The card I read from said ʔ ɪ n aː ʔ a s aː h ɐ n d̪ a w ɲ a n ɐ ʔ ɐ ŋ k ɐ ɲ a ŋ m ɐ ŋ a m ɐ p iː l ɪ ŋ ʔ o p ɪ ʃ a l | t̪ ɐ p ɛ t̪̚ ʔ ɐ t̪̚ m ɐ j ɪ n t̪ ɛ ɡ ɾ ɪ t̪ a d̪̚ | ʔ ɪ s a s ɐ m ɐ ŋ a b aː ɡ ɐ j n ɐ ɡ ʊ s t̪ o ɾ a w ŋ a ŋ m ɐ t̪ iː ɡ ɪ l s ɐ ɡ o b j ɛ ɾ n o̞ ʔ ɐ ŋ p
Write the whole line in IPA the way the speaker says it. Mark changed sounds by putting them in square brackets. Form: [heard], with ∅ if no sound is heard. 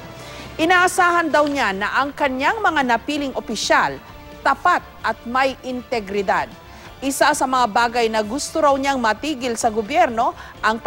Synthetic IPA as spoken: ʔ ɪ n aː ʔ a s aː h ɐ n d̪ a w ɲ a n ɐ ʔ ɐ ŋ k ɐ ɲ a ŋ m ɐ ŋ a [n] ɐ p iː l ɪ ŋ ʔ o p ɪ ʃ a l | t̪ ɐ p [a] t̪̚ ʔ ɐ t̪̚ m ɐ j ɪ n t̪ ɛ ɡ ɾ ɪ [d̪] a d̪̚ | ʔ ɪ s a s ɐ m ɐ ŋ a b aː ɡ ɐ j n ɐ ɡ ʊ s t̪ o ɾ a w [ɲ] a ŋ m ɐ t̪ iː ɡ ɪ l s ɐ ɡ o b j ɛ ɾ n o̞ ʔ ɐ ŋ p